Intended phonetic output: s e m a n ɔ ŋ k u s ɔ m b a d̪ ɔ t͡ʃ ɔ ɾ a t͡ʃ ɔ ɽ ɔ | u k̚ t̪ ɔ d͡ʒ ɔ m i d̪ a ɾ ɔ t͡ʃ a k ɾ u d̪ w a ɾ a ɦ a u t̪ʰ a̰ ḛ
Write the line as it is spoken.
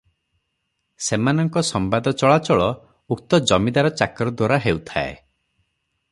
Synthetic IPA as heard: s e m a n ɔ ŋ k ɔ s ɔ m b a d̪ ɔ t͡ʃ ɔ ɭ a t͡ʃ ɔ ɭ ɔ | u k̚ t̪ ɔ d͡ʒ ɔ m i d̪ a ɾ ɔ t͡ʃ a k ɾ ɔ d̪ w a ɾ a ɦ e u t̪ʰ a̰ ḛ

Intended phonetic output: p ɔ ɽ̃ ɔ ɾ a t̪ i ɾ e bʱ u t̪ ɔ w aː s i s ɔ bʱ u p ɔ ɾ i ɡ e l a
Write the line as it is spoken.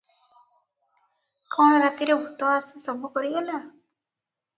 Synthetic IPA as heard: k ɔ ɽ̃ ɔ ɾ a t̪ i ɾ e bʱ u t̪ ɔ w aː s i s ɔ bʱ u k ɔ ɾ i ɡ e l a

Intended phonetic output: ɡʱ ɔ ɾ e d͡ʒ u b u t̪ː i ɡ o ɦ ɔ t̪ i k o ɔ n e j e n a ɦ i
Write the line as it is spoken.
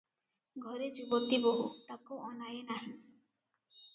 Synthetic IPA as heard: ɡʱ ɔ ɾ e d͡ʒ u b o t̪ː i b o ɦ u t̪ a k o ɔ n a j e n a ɦ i

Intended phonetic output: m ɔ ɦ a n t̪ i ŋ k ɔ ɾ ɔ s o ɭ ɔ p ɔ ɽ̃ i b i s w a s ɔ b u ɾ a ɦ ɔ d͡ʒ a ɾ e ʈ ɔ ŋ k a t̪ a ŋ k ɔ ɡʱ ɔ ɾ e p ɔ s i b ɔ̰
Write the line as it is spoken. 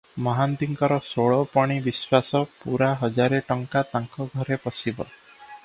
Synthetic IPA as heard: m ɔ ɦ a n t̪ i ŋ k ɔ ɾ ɔ s o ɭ ɔ p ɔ ɽ̃ i b i s w a s ɔ p u ɾ a ɦ ɔ d͡ʒ a ɾ e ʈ ɔ ŋ k a t̪ a ŋ k ɔ ɡʱ ɔ ɾ e p ɔ s i b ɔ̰

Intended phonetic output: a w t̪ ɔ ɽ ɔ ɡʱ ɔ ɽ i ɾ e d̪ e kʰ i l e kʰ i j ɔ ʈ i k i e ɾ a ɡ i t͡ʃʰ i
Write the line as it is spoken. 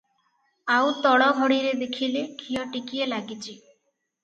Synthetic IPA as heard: a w t̪ ɔ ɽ ɔ ɡʱ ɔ ɽ i ɾ e d̪ e kʰ i l e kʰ i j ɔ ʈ i k i e l a ɡ i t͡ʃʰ i

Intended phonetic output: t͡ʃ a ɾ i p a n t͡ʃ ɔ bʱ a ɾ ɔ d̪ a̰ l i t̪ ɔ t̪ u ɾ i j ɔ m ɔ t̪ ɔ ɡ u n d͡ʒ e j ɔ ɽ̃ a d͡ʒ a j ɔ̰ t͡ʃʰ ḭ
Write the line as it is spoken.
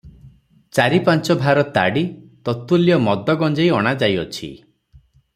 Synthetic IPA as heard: t͡ʃ a ɾ i p a n t͡ʃ ɔ bʱ a ɾ ɔ t̪ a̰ ɽ i t̪ ɔ t̪ u l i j ɔ m ɔ d̪ ɔ ɡ ɔ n d͡ʒ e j ɔ ɽ̃ a d͡ʒ a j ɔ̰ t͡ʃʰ ḭ

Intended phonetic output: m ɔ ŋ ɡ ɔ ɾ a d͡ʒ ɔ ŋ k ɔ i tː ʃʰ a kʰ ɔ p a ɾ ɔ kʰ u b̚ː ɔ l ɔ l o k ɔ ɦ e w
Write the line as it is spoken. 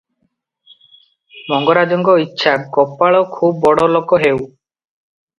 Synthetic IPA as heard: m ɔ ŋ ɡ ɔ ɾ a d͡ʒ ɔ ŋ ɡ ɔ i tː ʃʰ a k ɔ p a ɭ ɔ kʰ u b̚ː ɔ ɽ ɔ l o k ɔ ɦ e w

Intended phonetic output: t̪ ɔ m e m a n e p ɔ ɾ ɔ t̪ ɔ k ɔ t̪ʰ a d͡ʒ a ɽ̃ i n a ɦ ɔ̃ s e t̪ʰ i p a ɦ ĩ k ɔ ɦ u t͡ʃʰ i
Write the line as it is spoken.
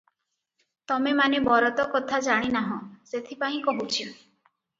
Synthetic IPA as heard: t̪ ɔ m e m a n e b ɔ ɾ ɔ t̪ ɔ k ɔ t̪ʰ a d͡ʒ a ɽ̃ i n a ɦ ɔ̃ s e t̪ʰ i p a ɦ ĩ k ɔ ɦ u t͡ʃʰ i

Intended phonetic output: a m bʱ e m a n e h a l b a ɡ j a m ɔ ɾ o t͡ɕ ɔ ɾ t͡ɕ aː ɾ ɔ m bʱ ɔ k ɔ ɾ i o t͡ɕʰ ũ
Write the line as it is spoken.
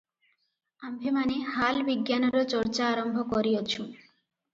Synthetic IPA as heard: a m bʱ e m a n e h a l b i ɡ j a n ɔ ɾ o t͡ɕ ɔ ɾ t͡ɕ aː ɾ ɔ m bʱ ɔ k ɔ ɾ i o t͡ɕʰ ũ

